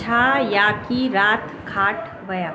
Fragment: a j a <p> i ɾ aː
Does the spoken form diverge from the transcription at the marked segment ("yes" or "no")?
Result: yes